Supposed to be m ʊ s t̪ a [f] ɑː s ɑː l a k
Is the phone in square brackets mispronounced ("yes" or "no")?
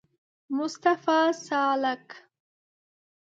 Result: no